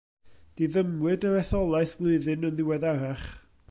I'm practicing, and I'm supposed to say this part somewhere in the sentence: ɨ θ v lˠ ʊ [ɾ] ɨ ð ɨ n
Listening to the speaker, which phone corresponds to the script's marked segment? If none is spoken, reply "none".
none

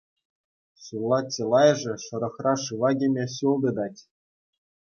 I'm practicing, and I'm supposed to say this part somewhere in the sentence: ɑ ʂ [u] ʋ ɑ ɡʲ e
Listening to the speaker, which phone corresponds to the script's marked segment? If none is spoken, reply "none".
ɯ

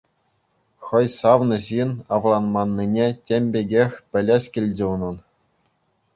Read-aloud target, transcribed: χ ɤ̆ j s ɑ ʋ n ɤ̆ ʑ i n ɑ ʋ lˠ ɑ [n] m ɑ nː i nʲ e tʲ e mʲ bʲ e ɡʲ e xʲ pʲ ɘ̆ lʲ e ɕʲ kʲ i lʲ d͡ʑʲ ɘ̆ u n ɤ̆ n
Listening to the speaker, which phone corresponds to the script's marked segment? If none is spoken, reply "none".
n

